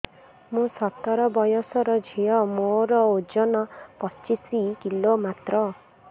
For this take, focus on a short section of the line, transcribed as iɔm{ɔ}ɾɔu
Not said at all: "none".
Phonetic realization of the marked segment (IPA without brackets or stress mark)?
o